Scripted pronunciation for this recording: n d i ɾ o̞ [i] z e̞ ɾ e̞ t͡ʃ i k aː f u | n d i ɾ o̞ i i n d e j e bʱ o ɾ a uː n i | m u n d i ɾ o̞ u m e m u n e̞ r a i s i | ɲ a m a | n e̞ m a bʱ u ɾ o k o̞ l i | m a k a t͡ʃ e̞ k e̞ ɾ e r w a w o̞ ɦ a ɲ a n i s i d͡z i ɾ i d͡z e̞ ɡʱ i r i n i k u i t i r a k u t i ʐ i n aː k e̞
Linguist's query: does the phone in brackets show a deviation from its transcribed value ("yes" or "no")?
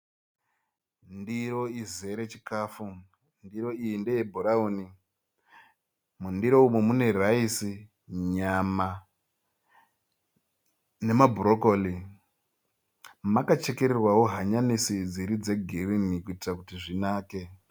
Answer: no